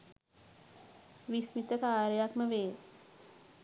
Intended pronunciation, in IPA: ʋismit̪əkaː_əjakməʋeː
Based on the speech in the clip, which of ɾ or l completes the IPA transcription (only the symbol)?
ɾ